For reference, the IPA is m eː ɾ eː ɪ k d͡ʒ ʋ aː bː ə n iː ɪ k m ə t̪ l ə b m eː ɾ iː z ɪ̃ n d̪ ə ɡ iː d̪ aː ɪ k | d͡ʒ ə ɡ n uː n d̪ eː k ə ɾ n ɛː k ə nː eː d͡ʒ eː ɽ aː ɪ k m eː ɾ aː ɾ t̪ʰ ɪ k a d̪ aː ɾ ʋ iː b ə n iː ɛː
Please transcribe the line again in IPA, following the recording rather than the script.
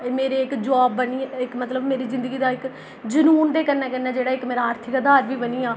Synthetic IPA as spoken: m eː ɾ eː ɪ k d͡ʒ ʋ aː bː ə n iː ɪ k m ə t̪ l ə b m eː ɾ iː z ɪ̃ n d̪ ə ɡ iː d̪ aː ɪ k | d͡ʒ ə n uː n d̪ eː k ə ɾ n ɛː k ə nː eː d͡ʒ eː ɽ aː ɪ k m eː ɾ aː ɾ t̪ʰ ɪ k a d̪ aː ɾ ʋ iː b ə n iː aː